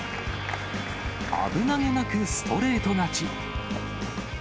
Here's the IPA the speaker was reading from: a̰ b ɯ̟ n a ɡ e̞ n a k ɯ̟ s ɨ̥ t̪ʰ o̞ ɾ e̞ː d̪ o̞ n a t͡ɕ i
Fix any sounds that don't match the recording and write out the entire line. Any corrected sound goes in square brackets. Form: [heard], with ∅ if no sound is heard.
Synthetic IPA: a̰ b ɯ̟ n a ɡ e̞ n a k ɯ̟ s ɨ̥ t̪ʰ o̞ ɾ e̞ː [t̪] o̞ n a t͡ɕ i